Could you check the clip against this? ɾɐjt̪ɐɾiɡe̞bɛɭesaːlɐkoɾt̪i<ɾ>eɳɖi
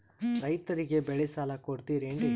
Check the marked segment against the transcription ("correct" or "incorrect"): correct